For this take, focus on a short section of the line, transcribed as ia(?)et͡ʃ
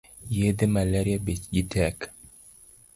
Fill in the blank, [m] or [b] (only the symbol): b